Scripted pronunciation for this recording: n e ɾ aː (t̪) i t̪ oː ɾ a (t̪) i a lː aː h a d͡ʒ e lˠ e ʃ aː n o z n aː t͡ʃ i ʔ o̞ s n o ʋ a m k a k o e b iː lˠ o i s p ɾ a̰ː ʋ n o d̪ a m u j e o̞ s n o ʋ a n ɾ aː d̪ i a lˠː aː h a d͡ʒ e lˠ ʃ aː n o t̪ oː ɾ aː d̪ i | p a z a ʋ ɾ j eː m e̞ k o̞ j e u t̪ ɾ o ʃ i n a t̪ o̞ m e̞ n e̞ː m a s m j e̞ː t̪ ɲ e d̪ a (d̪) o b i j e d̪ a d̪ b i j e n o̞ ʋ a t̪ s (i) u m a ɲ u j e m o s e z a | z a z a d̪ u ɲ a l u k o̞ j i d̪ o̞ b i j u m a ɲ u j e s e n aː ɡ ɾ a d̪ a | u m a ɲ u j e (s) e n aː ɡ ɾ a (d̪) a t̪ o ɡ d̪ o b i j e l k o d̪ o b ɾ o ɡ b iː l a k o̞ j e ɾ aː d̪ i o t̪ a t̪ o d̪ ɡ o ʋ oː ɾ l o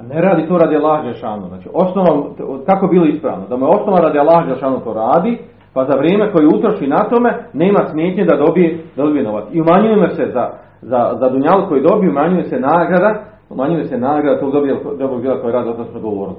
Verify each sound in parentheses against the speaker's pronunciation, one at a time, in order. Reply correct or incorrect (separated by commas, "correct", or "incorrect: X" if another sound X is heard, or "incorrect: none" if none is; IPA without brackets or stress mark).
incorrect: d̪, incorrect: d̪, correct, correct, correct, correct